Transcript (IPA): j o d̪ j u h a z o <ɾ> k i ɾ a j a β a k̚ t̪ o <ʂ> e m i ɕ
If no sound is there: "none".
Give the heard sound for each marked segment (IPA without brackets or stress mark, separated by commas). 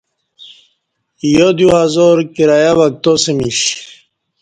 ɾ, s